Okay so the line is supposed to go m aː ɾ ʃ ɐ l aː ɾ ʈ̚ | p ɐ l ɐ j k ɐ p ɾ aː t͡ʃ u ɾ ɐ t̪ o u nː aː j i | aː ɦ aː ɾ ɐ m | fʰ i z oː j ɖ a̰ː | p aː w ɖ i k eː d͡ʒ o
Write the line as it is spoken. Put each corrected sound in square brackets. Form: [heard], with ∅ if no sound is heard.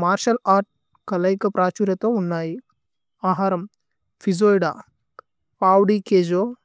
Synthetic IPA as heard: m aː ɾ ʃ ɐ l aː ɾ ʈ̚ | [k] ɐ l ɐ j k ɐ p ɾ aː t͡ʃ u ɾ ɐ t̪ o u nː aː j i | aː ɦ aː ɾ ɐ m | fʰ i z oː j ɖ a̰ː | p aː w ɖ i k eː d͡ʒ o